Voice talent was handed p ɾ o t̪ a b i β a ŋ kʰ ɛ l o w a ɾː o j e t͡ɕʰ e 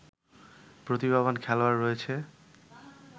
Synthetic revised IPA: p ɾ o t̪ i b a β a n kʰ ɛ l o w a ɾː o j e t͡ɕʰ e